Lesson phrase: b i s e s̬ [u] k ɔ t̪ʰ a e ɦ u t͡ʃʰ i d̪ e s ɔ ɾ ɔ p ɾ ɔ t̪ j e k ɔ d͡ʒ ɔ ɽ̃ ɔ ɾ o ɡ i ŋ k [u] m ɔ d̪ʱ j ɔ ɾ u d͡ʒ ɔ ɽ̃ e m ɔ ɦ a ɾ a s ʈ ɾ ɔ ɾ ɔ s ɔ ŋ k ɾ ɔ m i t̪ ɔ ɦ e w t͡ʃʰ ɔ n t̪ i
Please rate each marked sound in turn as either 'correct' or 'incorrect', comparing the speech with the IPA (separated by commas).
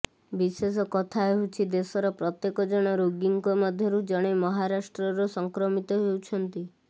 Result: incorrect, incorrect